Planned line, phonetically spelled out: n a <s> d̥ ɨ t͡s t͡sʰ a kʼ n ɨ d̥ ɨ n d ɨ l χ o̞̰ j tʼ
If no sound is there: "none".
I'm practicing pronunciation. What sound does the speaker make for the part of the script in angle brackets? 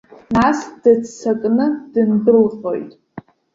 s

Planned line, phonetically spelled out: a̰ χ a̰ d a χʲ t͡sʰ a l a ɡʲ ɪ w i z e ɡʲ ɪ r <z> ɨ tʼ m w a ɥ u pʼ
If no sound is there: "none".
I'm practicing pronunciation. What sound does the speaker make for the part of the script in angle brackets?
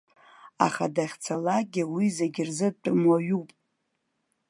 z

